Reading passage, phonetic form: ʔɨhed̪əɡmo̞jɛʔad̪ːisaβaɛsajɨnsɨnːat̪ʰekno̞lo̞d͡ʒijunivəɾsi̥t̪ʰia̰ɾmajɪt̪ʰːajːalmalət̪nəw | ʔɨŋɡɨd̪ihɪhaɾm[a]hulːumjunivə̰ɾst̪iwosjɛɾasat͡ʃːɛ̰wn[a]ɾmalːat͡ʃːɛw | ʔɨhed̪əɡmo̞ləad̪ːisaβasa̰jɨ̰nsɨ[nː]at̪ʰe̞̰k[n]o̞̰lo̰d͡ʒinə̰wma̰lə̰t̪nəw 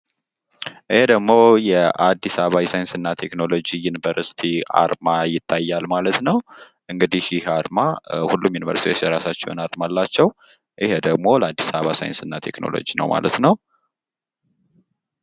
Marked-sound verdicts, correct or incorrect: correct, correct, correct, correct

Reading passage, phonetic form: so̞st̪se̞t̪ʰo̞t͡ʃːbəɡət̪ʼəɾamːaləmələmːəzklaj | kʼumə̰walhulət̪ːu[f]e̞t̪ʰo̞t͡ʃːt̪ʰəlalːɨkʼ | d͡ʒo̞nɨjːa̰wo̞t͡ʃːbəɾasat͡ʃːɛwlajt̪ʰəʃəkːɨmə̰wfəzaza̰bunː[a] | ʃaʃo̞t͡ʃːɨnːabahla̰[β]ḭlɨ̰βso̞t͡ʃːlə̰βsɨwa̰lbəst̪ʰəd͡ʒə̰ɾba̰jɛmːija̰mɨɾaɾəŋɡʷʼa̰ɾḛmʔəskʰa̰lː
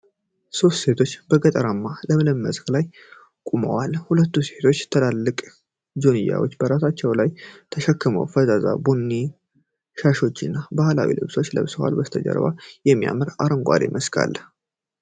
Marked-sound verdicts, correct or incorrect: incorrect: s, incorrect: i, incorrect: w

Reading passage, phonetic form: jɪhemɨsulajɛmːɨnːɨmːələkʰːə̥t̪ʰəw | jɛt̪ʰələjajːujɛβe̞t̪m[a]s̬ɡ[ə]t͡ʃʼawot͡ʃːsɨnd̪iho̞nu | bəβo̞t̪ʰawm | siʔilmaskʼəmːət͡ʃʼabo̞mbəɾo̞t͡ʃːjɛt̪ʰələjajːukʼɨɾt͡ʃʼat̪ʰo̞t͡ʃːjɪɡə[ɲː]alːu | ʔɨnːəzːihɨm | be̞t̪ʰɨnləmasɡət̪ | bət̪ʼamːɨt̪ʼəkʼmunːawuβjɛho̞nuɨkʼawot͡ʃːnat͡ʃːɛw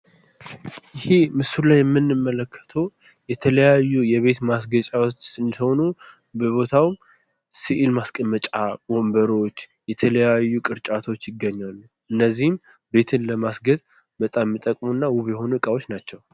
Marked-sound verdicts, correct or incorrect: correct, correct, correct

